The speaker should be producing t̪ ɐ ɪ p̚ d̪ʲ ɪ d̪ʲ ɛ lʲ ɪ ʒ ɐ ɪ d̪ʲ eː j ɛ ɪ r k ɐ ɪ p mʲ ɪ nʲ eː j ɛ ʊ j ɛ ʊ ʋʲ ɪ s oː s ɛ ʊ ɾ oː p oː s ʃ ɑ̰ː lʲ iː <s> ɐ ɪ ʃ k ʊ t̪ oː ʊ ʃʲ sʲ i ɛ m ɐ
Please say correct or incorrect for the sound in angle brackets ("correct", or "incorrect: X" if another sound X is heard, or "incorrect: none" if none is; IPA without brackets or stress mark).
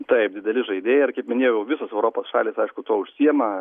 correct